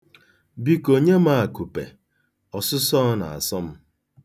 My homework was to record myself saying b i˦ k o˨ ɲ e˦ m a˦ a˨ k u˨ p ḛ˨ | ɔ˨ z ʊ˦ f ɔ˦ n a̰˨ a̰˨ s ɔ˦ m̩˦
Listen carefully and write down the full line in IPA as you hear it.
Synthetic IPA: b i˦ k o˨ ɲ e˦ m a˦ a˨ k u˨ p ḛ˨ | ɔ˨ s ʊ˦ s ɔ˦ n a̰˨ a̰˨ s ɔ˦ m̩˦